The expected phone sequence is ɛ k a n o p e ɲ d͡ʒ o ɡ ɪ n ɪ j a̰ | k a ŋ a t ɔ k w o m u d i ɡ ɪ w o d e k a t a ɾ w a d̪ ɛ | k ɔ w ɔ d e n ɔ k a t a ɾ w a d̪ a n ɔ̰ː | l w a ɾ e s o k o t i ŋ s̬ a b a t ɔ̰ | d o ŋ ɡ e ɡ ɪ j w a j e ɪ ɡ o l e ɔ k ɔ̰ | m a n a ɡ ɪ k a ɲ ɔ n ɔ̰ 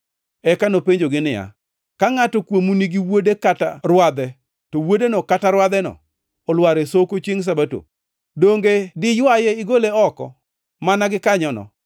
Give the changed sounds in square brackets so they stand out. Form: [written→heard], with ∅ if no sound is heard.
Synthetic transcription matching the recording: ɛ k a n o p e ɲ d͡ʒ o ɡ ɪ n ɪ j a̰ | k a ŋ a t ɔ k w o m u [d→n] i ɡ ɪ w o d e k a t a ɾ w a d̪ ɛ | [k→t] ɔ w [ɔ→o] d e n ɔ k a t a ɾ w a d̪ [a→ɛ] n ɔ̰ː | l w a ɾ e s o k o [t→t͡ʃ] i ŋ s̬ a b a t [ɔ̰→o̰] | d o ŋ ɡ e [ɡ→d] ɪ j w a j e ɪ ɡ o l e ɔ k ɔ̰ | m a n a ɡ ɪ k a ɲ ɔ n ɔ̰